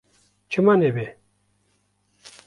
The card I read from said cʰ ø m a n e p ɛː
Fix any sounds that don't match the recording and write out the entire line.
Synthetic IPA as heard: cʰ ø m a n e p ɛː